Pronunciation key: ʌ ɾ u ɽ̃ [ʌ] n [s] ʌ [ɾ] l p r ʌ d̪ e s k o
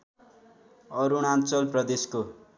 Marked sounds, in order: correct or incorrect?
incorrect, incorrect, incorrect

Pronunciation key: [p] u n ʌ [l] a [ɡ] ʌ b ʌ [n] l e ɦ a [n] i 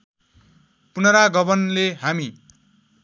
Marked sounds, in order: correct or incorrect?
correct, incorrect, correct, correct, incorrect

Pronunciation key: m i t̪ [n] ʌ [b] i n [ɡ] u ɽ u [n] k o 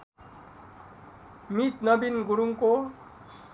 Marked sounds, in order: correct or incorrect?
correct, correct, correct, incorrect

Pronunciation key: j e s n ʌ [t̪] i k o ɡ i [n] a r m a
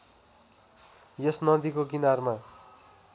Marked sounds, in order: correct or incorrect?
incorrect, correct

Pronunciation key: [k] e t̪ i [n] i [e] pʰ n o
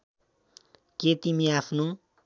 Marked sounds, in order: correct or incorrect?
correct, incorrect, incorrect

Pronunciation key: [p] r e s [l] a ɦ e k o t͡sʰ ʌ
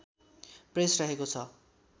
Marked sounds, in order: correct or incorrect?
correct, incorrect

